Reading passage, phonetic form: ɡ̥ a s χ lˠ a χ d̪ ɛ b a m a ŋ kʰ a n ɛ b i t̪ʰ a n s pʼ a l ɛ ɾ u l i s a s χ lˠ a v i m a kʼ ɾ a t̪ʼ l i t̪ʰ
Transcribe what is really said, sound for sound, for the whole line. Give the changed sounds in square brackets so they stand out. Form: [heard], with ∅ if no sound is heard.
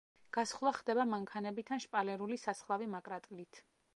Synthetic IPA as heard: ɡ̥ a s χ lˠ a χ d̪ ɛ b a m a ŋ kʰ a n ɛ b i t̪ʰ a n [ʃ] pʼ a l ɛ ɾ u l i s a s χ lˠ a v i m a kʼ ɾ a t̪ʼ l i t̪ʰ